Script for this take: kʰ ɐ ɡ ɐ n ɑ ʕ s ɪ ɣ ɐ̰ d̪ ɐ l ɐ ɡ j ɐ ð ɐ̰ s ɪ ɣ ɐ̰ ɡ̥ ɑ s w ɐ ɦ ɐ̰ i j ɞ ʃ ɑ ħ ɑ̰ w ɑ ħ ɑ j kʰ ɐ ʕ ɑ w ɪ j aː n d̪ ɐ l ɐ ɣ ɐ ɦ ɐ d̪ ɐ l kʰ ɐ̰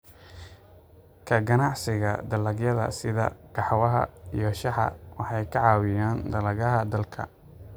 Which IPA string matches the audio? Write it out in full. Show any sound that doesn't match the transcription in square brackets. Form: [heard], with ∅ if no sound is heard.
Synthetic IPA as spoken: kʰ ɐ ɡ ɐ n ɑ ʕ s ɪ ɣ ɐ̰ d̪ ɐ l ɐ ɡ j ɐ ð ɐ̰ s ɪ [ð] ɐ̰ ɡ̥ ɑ [ħ] w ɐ ɦ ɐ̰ i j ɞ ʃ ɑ ħ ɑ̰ w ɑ ħ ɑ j kʰ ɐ ʕ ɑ w ɪ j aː n d̪ ɐ l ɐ ɣ ɐ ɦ ɐ d̪ ɐ l kʰ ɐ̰